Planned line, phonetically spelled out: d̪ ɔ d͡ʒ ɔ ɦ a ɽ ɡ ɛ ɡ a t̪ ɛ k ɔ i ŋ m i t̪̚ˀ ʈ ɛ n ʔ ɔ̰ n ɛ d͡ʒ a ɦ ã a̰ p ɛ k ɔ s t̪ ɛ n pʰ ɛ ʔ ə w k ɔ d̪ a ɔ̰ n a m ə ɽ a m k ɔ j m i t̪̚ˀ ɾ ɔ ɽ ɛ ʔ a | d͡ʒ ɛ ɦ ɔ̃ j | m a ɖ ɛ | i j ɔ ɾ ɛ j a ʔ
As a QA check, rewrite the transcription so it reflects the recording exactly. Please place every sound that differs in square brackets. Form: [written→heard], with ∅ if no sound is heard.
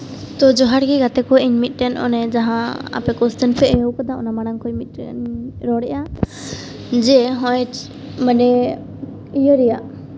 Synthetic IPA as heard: [d̪→t̪] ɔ d͡ʒ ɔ ɦ a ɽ ɡ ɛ ɡ a t̪ ɛ k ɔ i [ŋ→ɲ] m i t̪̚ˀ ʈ ɛ n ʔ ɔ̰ n ɛ d͡ʒ a ɦ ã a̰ p ɛ k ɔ s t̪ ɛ n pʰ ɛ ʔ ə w k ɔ d̪ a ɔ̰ n a m [ə→a] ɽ a [m→ŋ] k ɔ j m i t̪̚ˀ ɾ ɔ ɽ ɛ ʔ a | d͡ʒ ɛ ɦ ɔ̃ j | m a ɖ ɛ | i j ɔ ɾ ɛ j a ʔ